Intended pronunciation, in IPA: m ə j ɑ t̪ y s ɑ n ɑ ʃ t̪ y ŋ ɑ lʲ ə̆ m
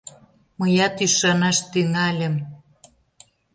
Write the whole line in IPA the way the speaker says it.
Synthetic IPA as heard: m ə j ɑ t̪ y ʃ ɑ n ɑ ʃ t̪ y ŋ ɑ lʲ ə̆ m